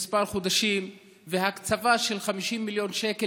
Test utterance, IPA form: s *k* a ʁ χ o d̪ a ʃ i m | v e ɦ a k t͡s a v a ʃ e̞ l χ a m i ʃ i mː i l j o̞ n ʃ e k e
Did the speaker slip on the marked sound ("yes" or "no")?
yes